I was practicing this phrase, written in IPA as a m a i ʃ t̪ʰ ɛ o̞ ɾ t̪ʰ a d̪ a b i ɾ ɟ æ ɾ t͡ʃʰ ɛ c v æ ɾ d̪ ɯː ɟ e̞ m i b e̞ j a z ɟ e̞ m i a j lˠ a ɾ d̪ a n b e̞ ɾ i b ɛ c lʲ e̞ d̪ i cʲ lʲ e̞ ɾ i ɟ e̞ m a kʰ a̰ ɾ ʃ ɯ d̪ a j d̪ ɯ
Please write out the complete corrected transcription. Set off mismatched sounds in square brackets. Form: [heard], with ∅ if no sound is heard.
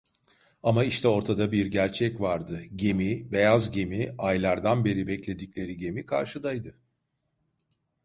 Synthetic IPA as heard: a m a i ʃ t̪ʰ ɛ o̞ ɾ t̪ʰ a d̪ a b i ɾ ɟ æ ɾ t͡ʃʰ ɛ c v [a] ɾ d̪ [ɯ] ɟ e̞ m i b e̞ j a z ɟ e̞ m i a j lˠ a ɾ d̪ a n b e̞ ɾ i b ɛ c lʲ e̞ d̪ i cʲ lʲ e̞ ɾ i ɟ e̞ m [i] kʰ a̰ ɾ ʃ ɯ d̪ a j d̪ ɯ